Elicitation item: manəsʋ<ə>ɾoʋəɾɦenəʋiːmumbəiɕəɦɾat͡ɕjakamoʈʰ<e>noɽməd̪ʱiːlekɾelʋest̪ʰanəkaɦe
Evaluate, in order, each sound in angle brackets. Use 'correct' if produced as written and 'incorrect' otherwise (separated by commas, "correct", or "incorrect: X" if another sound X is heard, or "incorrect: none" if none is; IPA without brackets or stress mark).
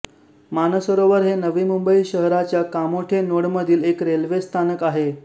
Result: correct, correct